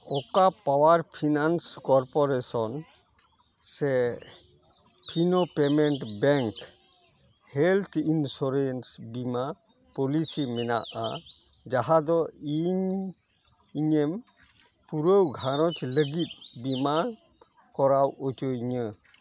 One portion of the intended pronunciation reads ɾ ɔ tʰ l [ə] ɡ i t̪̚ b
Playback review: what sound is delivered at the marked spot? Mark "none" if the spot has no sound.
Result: ə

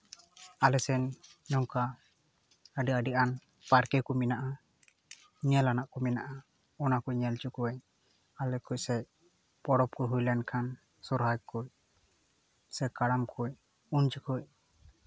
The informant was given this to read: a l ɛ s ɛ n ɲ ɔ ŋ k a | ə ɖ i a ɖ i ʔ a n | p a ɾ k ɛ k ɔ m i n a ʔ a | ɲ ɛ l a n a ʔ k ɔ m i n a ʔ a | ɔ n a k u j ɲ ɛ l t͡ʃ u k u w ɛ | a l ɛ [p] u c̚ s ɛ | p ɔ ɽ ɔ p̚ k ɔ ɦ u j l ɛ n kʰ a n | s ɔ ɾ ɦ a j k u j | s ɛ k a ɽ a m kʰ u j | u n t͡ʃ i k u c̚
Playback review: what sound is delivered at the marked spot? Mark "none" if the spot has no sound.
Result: k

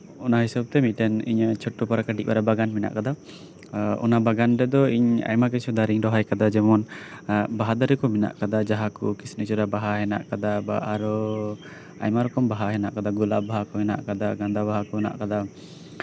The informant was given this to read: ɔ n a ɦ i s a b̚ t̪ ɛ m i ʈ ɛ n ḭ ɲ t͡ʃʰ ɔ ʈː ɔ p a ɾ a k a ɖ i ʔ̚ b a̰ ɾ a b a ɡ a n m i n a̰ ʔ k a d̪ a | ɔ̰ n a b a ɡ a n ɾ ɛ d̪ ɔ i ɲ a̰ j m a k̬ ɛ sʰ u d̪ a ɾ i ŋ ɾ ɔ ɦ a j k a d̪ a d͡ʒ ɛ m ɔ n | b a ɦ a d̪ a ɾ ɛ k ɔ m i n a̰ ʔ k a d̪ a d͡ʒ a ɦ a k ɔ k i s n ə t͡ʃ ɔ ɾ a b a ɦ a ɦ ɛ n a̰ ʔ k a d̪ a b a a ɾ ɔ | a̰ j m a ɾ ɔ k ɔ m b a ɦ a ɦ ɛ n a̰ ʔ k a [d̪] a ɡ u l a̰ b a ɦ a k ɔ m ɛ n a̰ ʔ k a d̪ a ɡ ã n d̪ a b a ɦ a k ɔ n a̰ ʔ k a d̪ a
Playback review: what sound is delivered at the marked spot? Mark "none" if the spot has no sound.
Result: d̪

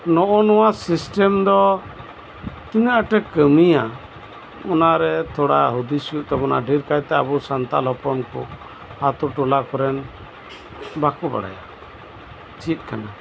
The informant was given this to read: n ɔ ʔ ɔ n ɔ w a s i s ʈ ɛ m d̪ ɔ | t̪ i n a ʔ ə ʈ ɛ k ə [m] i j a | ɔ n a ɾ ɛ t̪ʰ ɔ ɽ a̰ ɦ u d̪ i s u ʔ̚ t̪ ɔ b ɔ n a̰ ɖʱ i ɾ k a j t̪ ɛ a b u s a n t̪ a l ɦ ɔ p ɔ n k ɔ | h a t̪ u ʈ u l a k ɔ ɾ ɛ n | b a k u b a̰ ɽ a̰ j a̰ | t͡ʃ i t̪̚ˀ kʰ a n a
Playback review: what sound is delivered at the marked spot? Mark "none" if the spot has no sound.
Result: m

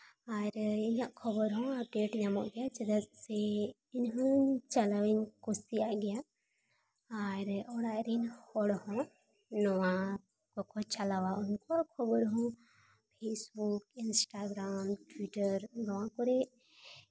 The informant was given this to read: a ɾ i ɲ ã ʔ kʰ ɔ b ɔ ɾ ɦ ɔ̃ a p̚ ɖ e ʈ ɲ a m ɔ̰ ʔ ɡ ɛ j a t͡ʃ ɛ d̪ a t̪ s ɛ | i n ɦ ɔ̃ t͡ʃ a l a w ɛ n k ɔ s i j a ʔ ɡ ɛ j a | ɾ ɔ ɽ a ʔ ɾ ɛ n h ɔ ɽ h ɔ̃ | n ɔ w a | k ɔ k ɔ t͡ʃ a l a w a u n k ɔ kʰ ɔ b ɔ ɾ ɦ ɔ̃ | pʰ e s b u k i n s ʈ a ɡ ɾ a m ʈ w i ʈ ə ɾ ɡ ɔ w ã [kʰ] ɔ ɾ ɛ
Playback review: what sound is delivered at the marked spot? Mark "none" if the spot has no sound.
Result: k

